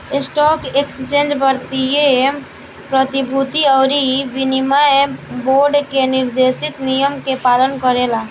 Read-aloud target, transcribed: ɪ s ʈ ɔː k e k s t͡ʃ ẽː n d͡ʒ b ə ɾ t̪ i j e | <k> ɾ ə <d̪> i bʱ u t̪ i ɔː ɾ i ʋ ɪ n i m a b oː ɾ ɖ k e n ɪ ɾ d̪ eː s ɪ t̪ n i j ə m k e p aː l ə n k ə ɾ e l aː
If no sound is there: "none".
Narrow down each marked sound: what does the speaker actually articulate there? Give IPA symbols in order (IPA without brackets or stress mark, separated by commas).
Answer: p, t̪